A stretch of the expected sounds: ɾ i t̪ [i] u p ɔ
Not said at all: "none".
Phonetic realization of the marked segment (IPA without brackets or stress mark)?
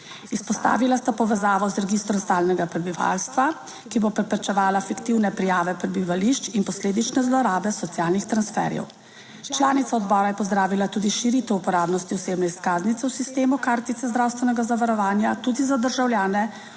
ɛ